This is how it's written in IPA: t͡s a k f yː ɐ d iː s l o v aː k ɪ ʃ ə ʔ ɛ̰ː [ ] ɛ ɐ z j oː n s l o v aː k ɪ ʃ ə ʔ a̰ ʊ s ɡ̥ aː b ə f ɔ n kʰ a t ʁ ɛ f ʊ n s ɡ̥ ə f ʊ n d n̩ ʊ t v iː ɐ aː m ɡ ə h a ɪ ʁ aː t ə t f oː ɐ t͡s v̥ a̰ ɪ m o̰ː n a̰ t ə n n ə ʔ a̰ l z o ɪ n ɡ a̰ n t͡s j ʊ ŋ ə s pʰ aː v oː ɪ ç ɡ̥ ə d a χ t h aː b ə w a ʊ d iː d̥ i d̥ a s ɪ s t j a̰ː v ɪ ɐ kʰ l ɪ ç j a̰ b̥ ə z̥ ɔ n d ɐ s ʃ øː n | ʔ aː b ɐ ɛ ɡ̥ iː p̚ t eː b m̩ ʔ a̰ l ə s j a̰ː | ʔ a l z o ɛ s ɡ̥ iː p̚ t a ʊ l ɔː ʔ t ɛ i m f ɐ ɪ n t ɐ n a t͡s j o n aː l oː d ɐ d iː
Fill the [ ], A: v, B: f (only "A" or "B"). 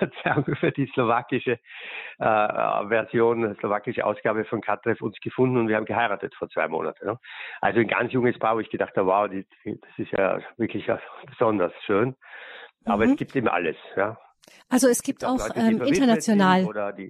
A